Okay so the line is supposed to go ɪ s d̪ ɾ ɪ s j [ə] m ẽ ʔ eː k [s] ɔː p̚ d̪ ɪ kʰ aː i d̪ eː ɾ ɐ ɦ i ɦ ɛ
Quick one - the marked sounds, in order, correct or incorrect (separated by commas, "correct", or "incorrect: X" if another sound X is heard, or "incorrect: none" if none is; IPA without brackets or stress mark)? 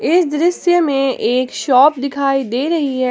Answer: correct, incorrect: ʃ